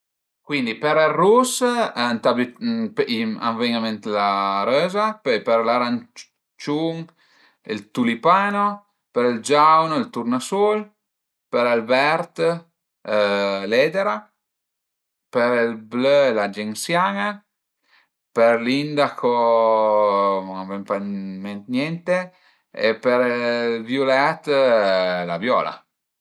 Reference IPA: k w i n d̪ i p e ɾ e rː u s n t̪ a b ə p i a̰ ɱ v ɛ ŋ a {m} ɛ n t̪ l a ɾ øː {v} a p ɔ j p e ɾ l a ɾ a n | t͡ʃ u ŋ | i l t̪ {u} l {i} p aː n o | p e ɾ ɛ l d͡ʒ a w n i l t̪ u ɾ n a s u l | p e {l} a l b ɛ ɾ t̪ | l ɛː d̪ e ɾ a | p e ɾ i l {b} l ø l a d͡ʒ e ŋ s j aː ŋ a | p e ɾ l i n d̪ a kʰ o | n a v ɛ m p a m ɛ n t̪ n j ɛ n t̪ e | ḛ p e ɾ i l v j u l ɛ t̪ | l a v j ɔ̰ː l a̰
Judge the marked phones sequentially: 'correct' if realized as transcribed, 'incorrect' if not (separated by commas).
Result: correct, incorrect, correct, correct, incorrect, correct